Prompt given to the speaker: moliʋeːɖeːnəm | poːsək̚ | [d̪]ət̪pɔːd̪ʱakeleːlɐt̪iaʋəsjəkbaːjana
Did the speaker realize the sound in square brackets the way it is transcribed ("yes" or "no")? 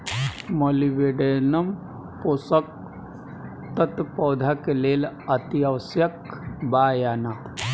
no